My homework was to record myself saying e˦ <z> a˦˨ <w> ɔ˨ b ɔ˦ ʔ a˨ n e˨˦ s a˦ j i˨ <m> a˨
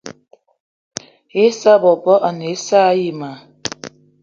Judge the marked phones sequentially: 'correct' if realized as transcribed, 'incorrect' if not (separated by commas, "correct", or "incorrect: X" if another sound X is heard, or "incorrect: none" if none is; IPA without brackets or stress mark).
incorrect: s, incorrect: b, correct